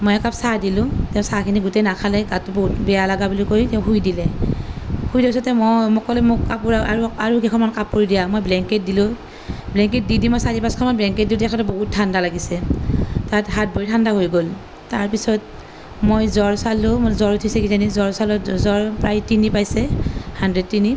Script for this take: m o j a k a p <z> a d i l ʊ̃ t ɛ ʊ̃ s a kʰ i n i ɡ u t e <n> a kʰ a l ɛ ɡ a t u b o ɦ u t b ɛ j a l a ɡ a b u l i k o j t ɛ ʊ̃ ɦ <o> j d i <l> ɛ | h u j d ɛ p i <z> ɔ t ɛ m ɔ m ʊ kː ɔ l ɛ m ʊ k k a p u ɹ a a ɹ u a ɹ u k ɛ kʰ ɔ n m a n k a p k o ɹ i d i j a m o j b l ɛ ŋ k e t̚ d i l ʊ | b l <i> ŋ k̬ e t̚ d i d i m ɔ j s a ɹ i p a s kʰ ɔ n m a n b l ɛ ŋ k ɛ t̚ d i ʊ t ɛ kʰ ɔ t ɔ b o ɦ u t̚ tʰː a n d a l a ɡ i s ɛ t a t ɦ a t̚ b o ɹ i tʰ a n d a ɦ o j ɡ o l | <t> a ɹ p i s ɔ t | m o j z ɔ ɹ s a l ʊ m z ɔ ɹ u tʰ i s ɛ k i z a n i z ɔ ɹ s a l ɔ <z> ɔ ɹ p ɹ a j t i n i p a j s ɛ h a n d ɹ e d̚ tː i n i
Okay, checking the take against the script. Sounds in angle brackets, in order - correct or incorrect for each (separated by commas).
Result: incorrect, correct, incorrect, correct, incorrect, incorrect, correct, correct